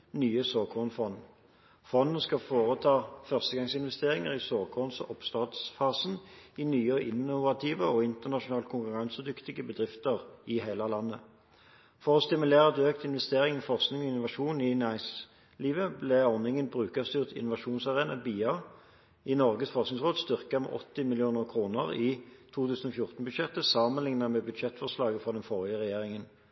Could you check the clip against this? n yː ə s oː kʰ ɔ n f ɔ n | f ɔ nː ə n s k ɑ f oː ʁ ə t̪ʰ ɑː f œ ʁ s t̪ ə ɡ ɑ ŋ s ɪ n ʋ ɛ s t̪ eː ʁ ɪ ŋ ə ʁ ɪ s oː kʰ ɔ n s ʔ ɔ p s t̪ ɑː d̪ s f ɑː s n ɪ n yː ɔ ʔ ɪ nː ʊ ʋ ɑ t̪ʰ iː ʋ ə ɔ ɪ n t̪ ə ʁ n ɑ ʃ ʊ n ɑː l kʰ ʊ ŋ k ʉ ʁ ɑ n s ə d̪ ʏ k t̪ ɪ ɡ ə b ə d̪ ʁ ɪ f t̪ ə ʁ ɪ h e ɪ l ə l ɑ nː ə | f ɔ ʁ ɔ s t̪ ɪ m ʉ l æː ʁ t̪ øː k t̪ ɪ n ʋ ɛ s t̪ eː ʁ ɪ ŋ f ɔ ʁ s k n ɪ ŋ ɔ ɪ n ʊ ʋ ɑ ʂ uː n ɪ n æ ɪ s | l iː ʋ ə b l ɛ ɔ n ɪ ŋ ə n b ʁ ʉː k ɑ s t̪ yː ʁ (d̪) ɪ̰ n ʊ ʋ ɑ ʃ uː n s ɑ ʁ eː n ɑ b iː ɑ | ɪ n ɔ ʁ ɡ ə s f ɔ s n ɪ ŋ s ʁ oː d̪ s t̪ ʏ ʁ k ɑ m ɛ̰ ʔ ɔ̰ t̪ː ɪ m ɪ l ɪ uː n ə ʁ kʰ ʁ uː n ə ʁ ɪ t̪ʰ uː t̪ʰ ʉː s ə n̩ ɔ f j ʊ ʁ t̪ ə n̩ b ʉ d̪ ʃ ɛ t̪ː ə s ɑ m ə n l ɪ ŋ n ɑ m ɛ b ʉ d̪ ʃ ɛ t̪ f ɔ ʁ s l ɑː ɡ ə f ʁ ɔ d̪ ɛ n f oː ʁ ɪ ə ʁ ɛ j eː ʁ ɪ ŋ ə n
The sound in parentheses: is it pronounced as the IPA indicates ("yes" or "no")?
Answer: no